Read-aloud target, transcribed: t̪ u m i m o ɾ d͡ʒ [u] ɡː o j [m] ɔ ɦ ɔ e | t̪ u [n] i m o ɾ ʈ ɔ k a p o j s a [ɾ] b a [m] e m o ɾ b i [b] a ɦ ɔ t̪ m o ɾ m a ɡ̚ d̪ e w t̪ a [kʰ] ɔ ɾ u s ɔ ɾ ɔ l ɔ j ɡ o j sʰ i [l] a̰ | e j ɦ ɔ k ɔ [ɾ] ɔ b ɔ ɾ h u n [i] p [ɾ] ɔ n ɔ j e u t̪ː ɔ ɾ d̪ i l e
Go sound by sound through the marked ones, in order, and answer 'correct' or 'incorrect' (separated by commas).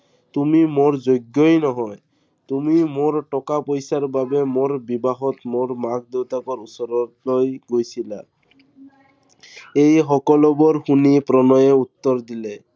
incorrect, incorrect, incorrect, correct, incorrect, correct, incorrect, correct, incorrect, correct, correct